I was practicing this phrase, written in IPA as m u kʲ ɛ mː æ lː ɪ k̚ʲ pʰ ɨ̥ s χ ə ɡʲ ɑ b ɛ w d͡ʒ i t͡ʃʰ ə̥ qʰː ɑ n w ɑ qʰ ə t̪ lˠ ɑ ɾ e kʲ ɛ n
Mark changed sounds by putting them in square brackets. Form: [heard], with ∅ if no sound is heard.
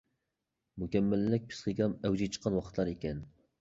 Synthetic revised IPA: m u kʲ ɛ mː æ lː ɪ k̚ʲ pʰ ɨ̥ s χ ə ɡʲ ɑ [m] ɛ w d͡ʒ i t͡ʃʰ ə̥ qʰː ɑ n w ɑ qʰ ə t̪ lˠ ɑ ɾ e kʲ ɛ n